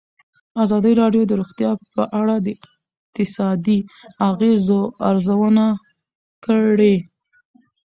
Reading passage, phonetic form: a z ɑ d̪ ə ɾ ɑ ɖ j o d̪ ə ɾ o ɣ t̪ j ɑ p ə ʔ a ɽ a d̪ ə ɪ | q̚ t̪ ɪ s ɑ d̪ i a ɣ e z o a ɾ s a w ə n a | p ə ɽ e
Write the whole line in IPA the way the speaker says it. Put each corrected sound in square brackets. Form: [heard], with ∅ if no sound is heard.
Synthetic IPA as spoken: a z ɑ d̪ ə ɾ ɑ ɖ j o d̪ ə ɾ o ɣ t̪ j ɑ p ə ʔ a ɽ a d̪ ə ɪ | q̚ t̪ ɪ s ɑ d̪ i a ɣ e z o a ɾ [z] a w ə n a | [k] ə ɽ e